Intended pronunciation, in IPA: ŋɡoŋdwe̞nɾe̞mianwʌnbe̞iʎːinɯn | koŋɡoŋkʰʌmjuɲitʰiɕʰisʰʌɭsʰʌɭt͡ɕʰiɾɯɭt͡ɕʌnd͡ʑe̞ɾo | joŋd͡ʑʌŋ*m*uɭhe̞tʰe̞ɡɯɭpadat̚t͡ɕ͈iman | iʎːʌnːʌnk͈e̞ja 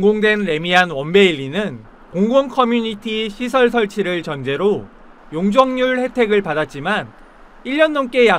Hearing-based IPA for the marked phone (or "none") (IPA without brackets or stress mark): ɲ